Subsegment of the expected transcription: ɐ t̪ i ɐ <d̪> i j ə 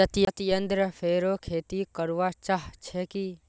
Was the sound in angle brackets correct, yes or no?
no